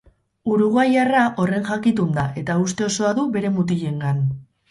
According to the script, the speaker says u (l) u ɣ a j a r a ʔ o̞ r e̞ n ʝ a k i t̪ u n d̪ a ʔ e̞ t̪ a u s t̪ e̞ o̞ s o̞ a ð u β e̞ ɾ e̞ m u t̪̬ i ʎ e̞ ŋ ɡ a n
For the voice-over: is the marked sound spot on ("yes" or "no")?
no